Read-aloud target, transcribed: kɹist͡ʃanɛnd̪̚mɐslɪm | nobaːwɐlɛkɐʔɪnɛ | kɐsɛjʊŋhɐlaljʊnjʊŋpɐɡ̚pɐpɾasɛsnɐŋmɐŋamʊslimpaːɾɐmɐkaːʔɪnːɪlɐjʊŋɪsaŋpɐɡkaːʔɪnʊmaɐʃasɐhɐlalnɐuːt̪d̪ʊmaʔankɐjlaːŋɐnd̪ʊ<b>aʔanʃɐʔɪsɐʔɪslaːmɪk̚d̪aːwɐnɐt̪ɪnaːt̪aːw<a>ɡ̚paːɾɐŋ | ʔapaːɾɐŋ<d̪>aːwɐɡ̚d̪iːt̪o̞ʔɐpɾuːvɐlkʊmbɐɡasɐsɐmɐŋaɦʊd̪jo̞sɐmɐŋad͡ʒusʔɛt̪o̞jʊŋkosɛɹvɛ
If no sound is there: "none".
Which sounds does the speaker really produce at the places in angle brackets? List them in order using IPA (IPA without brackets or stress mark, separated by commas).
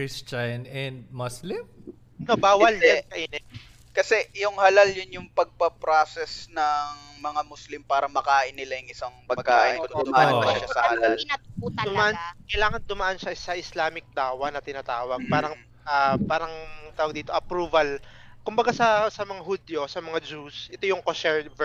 m, ɐ, t̪